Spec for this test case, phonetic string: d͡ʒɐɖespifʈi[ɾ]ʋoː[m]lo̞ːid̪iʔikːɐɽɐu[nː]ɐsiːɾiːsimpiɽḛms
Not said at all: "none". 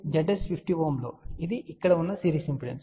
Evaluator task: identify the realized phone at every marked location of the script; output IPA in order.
none, m, nː

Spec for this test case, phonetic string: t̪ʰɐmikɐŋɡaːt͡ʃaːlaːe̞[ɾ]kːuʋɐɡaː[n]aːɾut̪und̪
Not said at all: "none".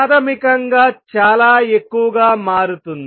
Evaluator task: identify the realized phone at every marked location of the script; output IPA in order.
none, m

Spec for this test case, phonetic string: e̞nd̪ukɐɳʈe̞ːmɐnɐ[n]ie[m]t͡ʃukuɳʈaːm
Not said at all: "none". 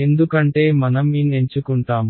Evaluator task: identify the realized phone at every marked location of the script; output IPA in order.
m, ɲ

